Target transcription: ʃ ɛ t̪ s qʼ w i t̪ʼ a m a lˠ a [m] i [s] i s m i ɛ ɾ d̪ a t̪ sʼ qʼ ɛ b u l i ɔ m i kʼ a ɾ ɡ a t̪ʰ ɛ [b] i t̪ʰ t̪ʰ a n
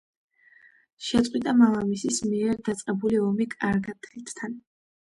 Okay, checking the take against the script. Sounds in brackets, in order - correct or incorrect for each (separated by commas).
correct, correct, incorrect